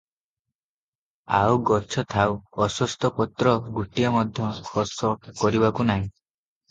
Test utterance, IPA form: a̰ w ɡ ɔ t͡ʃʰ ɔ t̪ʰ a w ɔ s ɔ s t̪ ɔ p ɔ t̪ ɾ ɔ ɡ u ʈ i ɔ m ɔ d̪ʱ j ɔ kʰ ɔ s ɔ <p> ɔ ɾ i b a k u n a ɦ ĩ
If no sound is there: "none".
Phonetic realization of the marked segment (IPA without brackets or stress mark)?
k